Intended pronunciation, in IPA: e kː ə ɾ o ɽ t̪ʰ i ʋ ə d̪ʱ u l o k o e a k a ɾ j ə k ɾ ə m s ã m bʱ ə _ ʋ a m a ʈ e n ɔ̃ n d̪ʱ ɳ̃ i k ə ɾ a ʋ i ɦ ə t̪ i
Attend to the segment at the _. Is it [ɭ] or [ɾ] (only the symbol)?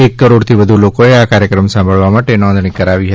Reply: ɭ